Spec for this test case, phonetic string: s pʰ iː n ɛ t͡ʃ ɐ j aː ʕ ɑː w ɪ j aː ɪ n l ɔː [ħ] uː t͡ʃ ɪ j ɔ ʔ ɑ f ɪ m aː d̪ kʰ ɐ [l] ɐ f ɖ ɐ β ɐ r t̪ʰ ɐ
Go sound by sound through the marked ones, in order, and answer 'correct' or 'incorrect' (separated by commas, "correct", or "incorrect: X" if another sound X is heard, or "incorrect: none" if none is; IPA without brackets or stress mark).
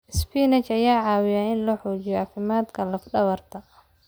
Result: correct, correct